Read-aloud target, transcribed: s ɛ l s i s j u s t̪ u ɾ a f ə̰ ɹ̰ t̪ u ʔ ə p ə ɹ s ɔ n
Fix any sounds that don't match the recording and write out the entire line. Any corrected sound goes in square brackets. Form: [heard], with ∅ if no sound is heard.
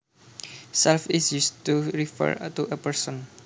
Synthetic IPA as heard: s ɛ l [f] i s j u s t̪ u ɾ [i] f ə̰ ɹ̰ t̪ u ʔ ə p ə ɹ s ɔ n